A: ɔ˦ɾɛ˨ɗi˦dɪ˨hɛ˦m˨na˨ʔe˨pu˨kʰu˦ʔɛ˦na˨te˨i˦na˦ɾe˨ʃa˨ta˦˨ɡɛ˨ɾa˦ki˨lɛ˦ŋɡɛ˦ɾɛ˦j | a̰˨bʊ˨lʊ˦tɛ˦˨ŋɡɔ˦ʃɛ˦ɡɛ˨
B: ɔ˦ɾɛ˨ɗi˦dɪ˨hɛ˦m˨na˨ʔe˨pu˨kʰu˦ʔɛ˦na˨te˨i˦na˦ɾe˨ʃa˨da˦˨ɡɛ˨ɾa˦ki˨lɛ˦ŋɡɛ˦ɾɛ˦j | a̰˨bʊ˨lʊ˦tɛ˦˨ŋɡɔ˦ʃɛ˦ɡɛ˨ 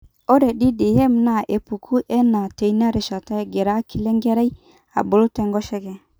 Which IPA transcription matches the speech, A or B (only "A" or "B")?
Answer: A